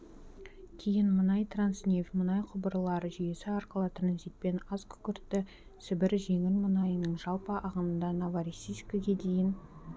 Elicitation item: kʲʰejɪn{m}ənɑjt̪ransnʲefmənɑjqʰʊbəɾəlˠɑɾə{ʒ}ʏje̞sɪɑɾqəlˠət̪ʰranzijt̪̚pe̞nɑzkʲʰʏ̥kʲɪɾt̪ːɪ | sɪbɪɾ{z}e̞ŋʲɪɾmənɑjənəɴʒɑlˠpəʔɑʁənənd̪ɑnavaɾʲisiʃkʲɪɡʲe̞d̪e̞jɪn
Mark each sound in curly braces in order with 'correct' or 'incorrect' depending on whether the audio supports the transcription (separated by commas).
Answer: correct, correct, incorrect